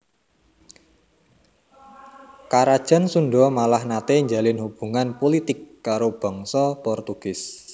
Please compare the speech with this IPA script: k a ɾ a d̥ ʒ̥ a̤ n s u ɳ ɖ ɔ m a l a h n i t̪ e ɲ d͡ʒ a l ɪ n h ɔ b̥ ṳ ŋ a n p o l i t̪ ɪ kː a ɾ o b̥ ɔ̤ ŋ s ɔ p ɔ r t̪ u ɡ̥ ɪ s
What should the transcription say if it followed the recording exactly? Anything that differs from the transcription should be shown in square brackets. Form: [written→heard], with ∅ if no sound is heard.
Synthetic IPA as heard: k a ɾ a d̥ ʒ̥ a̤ n s u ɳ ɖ ɔ m a l a h n [i→a] t̪ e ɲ d͡ʒ a l ɪ n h [ɔ→u] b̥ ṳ ŋ a n p o l i t̪ ɪ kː a ɾ o b̥ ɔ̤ ŋ s ɔ p ɔ r t̪ u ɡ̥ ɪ s